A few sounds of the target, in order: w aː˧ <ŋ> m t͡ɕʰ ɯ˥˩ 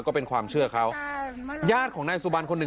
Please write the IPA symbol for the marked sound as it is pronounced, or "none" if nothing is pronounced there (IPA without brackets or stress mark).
none